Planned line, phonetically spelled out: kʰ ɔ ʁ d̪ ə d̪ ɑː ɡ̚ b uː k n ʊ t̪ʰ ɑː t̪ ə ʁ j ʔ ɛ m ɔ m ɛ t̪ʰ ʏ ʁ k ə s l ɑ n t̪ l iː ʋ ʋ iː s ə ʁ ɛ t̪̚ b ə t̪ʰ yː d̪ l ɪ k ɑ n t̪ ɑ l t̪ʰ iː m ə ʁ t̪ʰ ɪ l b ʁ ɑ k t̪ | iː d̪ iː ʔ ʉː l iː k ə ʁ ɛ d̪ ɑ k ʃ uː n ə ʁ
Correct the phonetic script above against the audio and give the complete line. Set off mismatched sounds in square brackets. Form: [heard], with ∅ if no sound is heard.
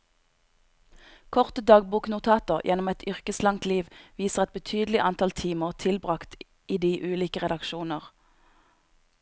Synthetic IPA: kʰ ɔ ʁ [t̪] ə d̪ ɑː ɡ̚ b uː k n ʊ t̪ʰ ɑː t̪ ə ʁ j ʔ ɛ [n] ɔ m ɛ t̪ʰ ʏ ʁ k ə s l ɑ [ŋ] t̪ l iː ʋ ʋ iː s ə ʁ ɛ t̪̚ b ə t̪ʰ yː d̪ l ɪ [ʔ] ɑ n t̪ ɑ l t̪ʰ iː m ə ʁ t̪ʰ ɪ l b ʁ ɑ k t̪ | iː d̪ iː ʔ ʉː l iː k ə ʁ ɛ d̪ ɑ k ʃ uː n ə ʁ